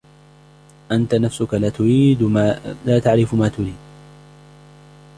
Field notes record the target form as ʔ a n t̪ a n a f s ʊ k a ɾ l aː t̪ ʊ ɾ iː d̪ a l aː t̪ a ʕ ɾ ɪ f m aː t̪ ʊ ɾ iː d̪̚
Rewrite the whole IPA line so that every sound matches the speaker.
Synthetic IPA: ʔ a n t̪ a n a f s ʊ k a l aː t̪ ʊ ɾ iː d̪ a l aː t̪ a ʕ ɾ ɪ f m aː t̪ ʊ ɾ iː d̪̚